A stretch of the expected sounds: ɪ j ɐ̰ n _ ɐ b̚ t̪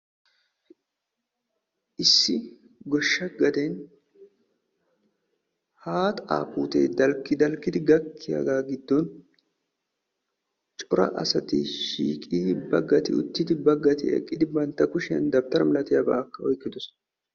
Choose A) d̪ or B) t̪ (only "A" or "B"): A